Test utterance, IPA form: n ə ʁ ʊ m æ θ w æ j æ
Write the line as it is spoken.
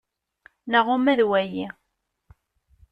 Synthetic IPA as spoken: n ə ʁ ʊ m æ ð w æ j i